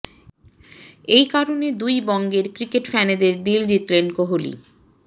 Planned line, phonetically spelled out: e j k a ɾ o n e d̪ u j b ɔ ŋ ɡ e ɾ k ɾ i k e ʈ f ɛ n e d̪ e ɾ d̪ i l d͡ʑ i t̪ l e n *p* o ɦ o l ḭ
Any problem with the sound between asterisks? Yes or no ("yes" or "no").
yes